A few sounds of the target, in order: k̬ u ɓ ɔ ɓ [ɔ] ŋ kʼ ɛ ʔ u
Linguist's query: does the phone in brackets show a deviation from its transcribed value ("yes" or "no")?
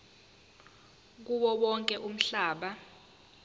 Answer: no